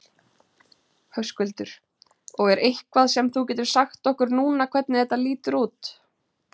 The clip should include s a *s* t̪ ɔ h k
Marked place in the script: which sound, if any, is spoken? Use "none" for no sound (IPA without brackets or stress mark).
x